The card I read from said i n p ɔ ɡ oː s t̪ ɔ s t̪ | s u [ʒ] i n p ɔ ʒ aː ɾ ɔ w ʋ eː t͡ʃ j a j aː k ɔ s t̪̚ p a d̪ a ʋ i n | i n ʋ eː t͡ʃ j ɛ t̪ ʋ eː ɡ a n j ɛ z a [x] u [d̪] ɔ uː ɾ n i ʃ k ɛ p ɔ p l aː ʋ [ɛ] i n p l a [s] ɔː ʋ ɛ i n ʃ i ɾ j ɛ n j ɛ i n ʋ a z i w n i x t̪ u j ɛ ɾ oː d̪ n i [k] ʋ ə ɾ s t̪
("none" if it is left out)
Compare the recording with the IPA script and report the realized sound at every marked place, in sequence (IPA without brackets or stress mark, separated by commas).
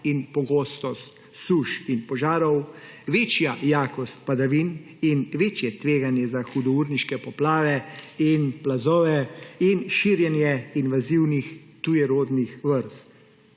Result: ʃ, x, d̪, ɛ, z, x